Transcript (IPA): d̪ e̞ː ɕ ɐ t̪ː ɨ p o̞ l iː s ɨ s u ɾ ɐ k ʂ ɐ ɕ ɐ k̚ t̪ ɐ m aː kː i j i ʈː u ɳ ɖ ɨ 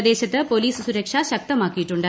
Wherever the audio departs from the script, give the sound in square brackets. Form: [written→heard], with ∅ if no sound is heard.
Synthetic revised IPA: d̪ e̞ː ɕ ɐ t̪ː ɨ p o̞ l iː s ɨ s u ɾ ɐ k ʂ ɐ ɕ ɐ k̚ t̪ ɐ m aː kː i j i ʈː u ɳ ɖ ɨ